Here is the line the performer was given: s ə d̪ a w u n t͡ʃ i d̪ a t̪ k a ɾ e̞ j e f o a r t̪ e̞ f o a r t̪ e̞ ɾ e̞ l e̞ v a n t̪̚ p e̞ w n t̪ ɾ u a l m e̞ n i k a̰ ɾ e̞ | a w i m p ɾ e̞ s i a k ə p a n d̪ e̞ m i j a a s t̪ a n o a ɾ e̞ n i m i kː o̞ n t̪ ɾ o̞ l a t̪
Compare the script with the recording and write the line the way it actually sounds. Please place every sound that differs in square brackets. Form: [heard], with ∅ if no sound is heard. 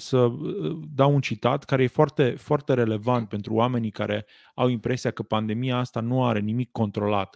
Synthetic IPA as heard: s ə d̪ a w u n t͡ʃ i [t̪] a t̪ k a ɾ e̞ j e f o a r t̪ e̞ f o a r t̪ e̞ ɾ e̞ l e̞ v a n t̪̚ p e̞ [∅] n t̪ ɾ u a [∅] m e̞ n i k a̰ ɾ e̞ | a w i m p ɾ e̞ s i a k ə p a n d̪ e̞ m i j a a s t̪ a n [u] a ɾ e̞ n i m i kː o̞ n t̪ ɾ o̞ l a t̪